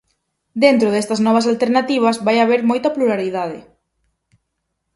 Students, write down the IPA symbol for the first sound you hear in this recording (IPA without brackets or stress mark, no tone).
d̪